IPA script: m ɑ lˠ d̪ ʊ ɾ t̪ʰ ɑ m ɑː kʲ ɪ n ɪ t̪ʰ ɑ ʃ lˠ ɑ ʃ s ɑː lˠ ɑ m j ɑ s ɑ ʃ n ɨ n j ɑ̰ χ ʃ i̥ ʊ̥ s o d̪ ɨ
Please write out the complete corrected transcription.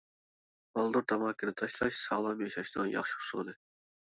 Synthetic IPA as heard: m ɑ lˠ d̪ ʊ ɾ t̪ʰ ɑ m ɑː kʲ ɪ n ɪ t̪ʰ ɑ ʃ lˠ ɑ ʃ s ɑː lˠ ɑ m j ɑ ʃ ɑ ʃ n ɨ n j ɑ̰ χ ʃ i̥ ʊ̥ s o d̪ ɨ